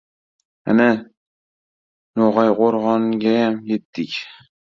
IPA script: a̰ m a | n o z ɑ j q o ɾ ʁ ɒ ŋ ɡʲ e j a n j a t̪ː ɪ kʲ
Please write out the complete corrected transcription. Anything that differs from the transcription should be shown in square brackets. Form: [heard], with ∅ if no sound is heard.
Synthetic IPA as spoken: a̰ [n] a | n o [ʁ] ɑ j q o ɾ ʁ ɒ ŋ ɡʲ [a] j a [m] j [e] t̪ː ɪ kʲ